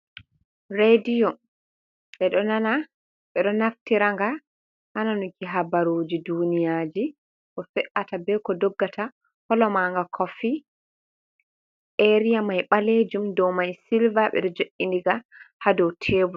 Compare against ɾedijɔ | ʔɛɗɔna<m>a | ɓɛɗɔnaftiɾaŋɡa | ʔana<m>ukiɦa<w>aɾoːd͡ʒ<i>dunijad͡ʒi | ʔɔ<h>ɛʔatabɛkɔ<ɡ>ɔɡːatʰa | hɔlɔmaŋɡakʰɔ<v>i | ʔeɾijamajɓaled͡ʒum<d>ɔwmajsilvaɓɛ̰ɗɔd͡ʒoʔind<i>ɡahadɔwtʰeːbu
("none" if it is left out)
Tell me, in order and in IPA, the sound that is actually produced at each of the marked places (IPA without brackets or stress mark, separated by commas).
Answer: n, n, b, i, f, d, f, d, i